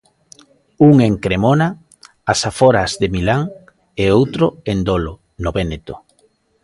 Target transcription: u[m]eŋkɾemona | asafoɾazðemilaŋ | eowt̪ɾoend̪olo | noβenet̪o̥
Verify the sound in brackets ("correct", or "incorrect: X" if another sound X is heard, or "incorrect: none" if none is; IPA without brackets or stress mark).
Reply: incorrect: ŋ